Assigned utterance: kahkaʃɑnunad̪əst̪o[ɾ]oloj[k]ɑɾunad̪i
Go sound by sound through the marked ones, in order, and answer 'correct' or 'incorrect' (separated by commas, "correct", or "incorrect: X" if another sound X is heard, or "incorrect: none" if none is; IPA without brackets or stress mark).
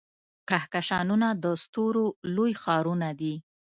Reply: correct, incorrect: x